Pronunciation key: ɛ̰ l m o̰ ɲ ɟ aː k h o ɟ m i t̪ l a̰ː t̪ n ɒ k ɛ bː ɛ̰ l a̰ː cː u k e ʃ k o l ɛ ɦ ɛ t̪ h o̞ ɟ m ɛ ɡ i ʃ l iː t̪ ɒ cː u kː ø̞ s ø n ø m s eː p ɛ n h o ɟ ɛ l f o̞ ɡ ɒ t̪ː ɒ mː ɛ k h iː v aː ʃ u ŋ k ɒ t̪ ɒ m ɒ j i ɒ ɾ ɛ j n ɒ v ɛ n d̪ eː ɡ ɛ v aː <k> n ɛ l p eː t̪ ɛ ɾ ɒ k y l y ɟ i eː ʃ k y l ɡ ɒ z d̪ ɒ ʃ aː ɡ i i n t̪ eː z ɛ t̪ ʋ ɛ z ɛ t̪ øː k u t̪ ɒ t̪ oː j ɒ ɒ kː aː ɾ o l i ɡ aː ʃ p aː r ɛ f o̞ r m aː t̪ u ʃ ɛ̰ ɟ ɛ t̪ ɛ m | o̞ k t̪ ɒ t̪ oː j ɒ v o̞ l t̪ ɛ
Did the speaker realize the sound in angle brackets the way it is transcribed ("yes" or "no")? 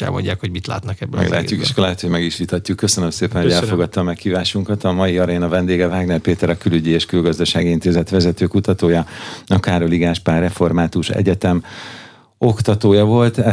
no